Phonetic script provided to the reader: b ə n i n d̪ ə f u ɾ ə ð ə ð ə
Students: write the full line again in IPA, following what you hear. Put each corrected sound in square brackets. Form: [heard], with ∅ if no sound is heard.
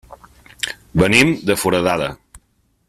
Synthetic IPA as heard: b ə n i [m] d̪ ə f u ɾ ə ð [a] ð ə